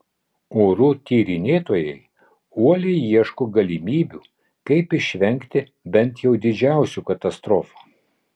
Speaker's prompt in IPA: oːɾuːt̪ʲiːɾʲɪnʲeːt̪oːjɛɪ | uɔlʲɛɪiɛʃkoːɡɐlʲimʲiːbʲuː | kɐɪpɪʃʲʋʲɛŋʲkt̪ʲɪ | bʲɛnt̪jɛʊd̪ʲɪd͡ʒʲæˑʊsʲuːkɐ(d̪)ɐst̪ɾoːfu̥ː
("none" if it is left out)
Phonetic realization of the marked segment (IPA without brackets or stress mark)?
t̪